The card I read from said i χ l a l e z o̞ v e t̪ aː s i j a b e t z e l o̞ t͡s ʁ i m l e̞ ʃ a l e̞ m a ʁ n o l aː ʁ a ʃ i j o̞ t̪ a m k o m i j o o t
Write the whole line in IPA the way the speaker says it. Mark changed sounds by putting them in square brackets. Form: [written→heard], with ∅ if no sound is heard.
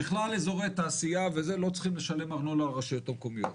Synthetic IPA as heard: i χ l a l e z o̞ [v→ʁ] e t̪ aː s i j a [b→v] e [t→∅] z e l o̞ t͡s [ʁ→χ] i m l e̞ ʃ a l e̞ m a ʁ n o l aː ʁ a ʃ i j o̞ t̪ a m k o m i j o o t